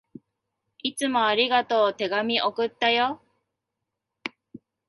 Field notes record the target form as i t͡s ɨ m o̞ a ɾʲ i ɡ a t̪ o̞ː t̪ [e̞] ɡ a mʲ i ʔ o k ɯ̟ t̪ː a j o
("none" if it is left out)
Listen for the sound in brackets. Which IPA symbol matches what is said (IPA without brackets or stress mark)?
e̞